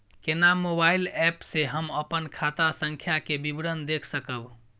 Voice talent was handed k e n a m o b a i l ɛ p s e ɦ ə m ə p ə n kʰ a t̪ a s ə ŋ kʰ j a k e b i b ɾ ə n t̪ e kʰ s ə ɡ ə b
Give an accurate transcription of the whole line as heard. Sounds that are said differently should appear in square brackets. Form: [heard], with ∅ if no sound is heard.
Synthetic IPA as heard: k e n a m o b a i l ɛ p s e ɦ ə m ə p ə n kʰ a t̪ a s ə ŋ kʰ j a k e b i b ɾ ə n [d̪] e kʰ s ə [k] ə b